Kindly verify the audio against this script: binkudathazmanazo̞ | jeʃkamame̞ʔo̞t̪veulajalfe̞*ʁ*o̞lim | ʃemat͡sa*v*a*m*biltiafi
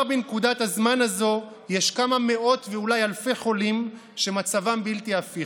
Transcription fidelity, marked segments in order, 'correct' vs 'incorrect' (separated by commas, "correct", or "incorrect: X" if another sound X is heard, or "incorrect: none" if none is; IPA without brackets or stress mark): incorrect: χ, correct, correct